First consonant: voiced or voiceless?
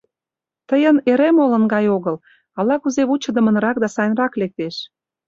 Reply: voiceless